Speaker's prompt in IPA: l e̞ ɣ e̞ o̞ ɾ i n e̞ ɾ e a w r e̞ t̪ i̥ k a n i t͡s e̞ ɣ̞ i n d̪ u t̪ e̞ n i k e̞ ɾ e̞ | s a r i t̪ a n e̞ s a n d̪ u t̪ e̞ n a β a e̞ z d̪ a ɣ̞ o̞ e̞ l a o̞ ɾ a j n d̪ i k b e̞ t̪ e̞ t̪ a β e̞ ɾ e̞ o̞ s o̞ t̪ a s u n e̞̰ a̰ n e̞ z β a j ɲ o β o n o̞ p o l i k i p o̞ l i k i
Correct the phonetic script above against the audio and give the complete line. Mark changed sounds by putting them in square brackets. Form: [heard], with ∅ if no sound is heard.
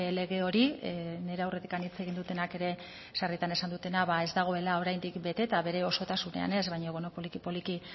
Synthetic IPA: l e̞ ɣ e̞ o̞ ɾ i n e̞ ɾ e a w r e̞ t̪ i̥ k a n i t͡s e̞ ɣ̞ i n d̪ u t̪ e̞ n [a] k e̞ ɾ e̞ | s a r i t̪ a n e̞ s a n d̪ u t̪ e̞ n a β a e̞ z d̪ a ɣ̞ o̞ e̞ l a o̞ ɾ a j n d̪ i k b e̞ t̪ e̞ t̪ a β e̞ ɾ e̞ o̞ s o̞ t̪ a s u n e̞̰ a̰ n e̞ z β a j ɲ o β o n o̞ p o l i k i p o̞ l i k i